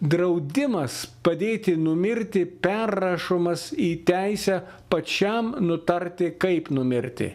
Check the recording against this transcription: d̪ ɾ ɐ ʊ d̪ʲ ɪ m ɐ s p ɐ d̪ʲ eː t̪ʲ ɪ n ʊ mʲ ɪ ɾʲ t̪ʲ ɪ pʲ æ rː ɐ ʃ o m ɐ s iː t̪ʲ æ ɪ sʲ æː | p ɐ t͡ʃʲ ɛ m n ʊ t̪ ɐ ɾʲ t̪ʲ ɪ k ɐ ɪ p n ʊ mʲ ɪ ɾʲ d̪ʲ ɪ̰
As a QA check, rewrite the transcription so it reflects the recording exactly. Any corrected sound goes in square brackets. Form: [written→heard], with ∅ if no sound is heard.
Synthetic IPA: d̪ ɾ ɐ ʊ d̪ʲ ɪ m ɐ s p ɐ d̪ʲ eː t̪ʲ ɪ n ʊ mʲ ɪ ɾʲ t̪ʲ ɪ pʲ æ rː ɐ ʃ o m ɐ s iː t̪ʲ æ ɪ sʲ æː | p ɐ t͡ʃʲ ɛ m n ʊ t̪ ɐ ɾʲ t̪ʲ ɪ k ɐ ɪ p n ʊ mʲ ɪ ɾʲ [d̪ʲ→t̪ʲ] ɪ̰

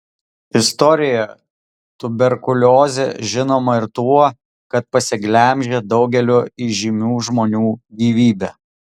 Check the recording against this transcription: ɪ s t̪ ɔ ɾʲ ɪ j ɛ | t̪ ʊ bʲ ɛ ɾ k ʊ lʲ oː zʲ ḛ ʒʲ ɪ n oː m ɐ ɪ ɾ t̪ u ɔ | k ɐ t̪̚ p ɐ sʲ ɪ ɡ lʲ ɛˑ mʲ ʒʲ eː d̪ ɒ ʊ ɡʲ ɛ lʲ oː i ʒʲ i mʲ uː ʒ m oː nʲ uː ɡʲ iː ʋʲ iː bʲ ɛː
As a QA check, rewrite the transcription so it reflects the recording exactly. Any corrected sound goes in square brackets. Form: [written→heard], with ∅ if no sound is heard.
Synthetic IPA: ɪ s t̪ ɔ ɾʲ ɪ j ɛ | t̪ ʊ bʲ ɛ ɾ k ʊ lʲ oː zʲ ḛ ʒʲ ɪ n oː m ɐ ɪ ɾ t̪ u ɔ | k ɐ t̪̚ p ɐ sʲ ɪ ɡ lʲ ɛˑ mʲ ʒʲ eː d̪ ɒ ʊ ɡʲ ɛ lʲ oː i ʒʲ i mʲ uː ʒ m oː nʲ uː ɡʲ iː ʋʲ iː bʲ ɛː

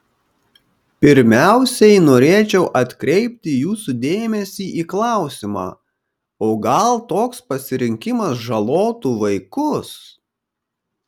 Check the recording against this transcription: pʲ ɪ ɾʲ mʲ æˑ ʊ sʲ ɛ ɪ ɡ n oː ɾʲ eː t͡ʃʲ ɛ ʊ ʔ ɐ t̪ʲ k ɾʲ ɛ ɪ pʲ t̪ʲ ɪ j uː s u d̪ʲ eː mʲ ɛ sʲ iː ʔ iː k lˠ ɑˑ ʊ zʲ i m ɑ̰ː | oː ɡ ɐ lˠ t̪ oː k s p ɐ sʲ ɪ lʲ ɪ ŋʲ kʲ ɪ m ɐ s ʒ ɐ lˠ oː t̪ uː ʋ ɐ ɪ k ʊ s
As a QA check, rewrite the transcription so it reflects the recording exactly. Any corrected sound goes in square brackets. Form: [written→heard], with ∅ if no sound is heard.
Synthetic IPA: pʲ ɪ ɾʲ mʲ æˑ ʊ sʲ ɛ ɪ [ɡ→∅] n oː ɾʲ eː t͡ʃʲ ɛ ʊ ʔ ɐ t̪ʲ k ɾʲ ɛ ɪ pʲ t̪ʲ ɪ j uː s u d̪ʲ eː mʲ ɛ sʲ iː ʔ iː k lˠ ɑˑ ʊ [zʲ→sʲ] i m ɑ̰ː | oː ɡ ɐ lˠ t̪ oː k s p ɐ sʲ ɪ [lʲ→ɾʲ] ɪ ŋʲ kʲ ɪ m ɐ s ʒ ɐ lˠ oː t̪ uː ʋ ɐ ɪ k ʊ s

